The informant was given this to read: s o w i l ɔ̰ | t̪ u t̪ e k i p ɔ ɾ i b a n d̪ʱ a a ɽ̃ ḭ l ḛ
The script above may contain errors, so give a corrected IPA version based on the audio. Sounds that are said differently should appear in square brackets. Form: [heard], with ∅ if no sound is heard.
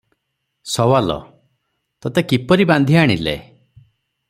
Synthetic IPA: s [ɔ] w [a] l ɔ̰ | t̪ [ɔ] t̪ e k i p ɔ ɾ i b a n d̪ʱ [i] a ɽ̃ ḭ l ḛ